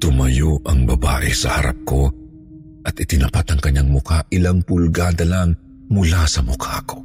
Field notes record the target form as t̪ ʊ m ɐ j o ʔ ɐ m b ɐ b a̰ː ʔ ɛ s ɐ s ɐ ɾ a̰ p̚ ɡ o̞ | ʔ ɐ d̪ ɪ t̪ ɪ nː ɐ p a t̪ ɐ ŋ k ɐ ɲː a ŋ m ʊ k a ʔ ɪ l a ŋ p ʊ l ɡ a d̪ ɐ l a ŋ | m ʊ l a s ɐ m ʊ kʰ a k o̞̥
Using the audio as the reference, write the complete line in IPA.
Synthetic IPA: t̪ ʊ m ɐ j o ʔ ɐ ŋ b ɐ b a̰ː ʔ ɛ s ɐ h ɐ ɾ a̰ p̚ k o̞ | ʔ ɐ t̪ ɪ t̪ ɪ n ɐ p a t̪ ɐ ŋ k ɐ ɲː a ŋ m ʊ k a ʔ ɪ l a ŋ p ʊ l ɡ a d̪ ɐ l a ŋ | m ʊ l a s ɐ m ʊ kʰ a k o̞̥